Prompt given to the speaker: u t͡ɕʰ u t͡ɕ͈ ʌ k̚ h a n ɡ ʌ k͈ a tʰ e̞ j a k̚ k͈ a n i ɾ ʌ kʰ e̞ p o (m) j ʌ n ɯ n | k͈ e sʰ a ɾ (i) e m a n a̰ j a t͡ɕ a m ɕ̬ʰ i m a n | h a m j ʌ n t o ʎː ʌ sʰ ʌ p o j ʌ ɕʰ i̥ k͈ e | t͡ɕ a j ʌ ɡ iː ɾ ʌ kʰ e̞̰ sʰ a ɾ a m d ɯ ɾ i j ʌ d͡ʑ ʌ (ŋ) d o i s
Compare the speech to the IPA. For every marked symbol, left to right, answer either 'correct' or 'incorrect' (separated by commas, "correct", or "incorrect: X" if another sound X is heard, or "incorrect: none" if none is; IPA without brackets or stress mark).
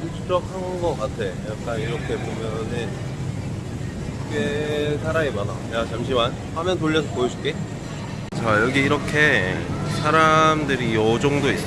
correct, incorrect: a, correct